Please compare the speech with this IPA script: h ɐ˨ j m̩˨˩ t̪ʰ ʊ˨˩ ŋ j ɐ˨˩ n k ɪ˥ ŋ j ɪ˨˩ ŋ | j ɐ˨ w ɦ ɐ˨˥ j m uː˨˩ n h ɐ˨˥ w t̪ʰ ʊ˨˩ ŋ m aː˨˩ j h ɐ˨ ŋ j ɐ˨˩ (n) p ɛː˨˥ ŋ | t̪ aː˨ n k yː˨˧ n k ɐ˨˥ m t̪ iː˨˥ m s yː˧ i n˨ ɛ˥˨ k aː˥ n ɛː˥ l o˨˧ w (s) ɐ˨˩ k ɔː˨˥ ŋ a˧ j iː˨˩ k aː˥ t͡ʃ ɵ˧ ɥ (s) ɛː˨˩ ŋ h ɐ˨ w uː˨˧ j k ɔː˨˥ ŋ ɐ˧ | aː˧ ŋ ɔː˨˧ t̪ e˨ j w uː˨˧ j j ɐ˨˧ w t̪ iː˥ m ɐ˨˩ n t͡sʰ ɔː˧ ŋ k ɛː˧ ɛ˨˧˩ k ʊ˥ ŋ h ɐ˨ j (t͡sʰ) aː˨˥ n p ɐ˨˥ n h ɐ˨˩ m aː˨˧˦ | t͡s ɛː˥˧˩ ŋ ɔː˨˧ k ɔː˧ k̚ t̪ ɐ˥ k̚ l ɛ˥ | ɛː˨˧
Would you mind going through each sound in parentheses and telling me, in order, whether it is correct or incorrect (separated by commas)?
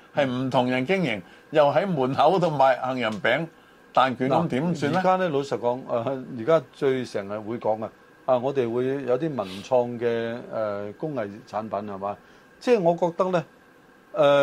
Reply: correct, correct, correct, correct